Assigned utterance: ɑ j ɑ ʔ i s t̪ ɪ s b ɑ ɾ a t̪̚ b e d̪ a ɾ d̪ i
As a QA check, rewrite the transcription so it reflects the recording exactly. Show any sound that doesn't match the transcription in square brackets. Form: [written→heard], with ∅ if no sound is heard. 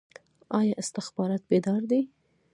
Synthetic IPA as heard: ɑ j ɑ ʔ [i→ɪ] s t̪ ɪ [s→x] b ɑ ɾ [a→ɑ] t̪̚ b e d̪ [a→ɑ] ɾ d̪ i